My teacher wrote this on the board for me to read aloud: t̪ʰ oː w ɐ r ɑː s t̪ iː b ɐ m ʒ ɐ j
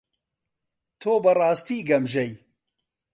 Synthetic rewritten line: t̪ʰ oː b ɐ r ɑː s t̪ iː ɡ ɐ m ʒ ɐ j